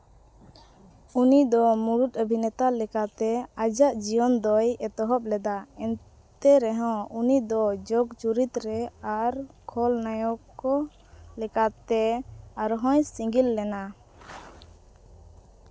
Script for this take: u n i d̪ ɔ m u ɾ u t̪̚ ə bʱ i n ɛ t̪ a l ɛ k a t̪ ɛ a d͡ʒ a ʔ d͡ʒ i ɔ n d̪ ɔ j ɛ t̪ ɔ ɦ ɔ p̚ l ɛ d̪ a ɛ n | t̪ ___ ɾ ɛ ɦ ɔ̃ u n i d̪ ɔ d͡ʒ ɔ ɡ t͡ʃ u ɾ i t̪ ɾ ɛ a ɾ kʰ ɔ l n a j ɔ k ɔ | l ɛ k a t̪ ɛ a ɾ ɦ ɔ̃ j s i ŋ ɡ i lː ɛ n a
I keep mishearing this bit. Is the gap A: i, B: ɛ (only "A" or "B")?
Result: B